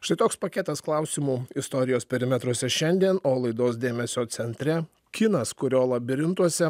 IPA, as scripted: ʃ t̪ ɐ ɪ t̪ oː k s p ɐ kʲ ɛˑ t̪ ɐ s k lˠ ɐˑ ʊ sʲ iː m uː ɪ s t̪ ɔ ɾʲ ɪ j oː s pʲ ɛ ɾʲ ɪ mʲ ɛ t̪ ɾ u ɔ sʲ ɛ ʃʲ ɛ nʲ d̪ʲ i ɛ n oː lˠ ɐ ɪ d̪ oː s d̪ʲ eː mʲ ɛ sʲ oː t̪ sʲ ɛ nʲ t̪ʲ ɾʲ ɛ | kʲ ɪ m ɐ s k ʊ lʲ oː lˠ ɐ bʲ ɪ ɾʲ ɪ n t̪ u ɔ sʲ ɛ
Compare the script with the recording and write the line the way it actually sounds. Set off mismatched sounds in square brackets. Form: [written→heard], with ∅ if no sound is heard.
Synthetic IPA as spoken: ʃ t̪ ɐ ɪ t̪ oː k s p ɐ kʲ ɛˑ t̪ ɐ s k lˠ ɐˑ ʊ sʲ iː m uː ɪ s t̪ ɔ ɾʲ ɪ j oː s pʲ ɛ ɾʲ ɪ mʲ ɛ t̪ ɾ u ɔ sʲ ɛ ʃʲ ɛ nʲ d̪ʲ i ɛ n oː lˠ ɐ ɪ d̪ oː s d̪ʲ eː mʲ ɛ sʲ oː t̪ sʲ ɛ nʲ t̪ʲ ɾʲ ɛ | kʲ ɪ [m→n] ɐ s k ʊ [lʲ→ɾʲ] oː lˠ ɐ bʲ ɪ ɾʲ ɪ n t̪ u ɔ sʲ ɛ